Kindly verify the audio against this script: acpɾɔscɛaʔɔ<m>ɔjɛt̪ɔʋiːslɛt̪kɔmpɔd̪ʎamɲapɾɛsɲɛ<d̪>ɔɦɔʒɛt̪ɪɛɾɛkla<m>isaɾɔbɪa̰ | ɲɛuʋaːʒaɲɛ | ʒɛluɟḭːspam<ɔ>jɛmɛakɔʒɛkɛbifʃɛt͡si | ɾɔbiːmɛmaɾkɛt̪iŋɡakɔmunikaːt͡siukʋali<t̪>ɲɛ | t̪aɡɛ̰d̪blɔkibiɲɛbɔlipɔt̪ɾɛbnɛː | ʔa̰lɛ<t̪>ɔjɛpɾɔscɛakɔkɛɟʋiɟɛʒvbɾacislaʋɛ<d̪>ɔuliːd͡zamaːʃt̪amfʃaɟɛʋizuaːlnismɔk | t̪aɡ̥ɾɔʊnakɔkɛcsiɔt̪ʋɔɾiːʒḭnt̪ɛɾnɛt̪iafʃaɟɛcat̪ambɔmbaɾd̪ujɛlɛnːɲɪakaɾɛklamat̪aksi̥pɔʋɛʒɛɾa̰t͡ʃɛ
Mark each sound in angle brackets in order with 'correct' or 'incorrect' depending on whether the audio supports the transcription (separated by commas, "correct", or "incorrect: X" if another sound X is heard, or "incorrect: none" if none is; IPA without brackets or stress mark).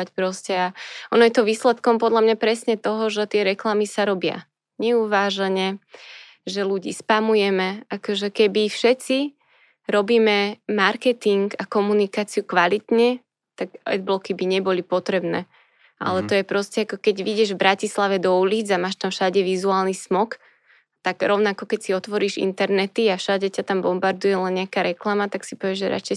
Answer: incorrect: n, incorrect: t̪, correct, incorrect: u, correct, correct, correct